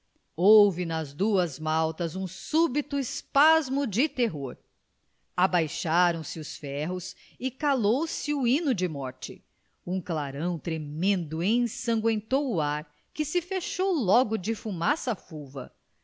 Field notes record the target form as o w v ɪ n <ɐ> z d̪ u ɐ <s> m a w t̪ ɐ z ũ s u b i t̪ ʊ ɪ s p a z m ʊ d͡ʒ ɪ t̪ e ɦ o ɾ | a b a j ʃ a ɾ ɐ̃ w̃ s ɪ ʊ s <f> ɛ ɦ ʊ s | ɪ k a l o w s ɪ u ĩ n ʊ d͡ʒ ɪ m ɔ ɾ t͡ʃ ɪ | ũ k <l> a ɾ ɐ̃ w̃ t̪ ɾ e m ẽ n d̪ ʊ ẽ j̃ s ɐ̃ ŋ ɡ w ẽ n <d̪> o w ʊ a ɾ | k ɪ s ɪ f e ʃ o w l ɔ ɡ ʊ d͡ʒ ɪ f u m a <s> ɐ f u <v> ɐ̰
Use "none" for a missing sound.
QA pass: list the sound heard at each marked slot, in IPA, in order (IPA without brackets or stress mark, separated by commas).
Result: ɐ, z, f, l, t̪, s, v